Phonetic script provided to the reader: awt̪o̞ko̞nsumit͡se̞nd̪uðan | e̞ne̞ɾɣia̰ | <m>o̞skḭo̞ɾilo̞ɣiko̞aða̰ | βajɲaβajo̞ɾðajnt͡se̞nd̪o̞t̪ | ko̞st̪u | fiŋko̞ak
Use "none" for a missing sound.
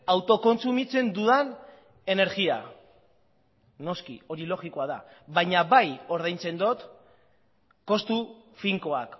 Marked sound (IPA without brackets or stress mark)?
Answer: n